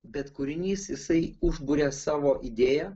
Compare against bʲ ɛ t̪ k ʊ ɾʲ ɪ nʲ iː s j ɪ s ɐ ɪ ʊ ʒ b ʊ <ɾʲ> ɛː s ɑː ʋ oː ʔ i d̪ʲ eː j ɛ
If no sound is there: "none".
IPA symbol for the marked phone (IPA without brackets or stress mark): ɾʲ